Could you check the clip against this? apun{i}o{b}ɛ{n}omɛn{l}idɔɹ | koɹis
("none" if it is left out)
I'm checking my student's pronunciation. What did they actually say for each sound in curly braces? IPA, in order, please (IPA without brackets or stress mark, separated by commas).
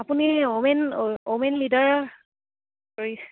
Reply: i, m, n, l